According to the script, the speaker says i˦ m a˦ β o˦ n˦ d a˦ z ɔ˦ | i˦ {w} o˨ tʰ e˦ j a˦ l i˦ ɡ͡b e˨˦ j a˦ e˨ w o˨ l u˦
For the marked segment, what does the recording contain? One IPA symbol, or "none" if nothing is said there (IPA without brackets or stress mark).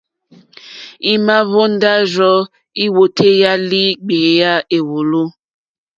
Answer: w